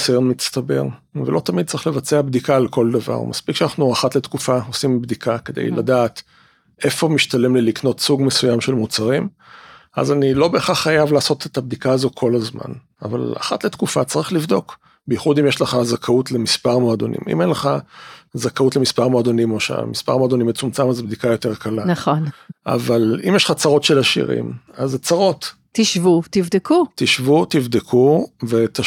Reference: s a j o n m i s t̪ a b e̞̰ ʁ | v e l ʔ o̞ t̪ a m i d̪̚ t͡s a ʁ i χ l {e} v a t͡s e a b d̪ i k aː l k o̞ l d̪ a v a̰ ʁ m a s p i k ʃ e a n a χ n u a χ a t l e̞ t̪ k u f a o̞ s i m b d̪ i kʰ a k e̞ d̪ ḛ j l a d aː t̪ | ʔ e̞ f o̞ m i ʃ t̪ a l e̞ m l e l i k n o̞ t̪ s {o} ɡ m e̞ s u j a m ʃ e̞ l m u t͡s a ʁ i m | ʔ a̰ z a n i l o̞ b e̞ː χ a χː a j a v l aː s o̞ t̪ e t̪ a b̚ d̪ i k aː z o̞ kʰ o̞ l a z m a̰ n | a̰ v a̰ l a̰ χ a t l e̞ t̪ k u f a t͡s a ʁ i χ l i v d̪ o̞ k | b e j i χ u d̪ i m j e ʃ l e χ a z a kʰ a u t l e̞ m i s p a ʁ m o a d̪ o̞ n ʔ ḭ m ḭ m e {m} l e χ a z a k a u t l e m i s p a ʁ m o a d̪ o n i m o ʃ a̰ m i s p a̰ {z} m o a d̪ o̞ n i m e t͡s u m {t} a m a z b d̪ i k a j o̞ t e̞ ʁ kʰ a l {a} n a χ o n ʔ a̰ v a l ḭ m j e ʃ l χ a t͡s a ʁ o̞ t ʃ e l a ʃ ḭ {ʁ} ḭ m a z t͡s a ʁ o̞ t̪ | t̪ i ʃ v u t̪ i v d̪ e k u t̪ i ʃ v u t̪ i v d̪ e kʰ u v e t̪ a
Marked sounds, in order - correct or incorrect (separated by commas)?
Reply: correct, incorrect, incorrect, incorrect, incorrect, correct, correct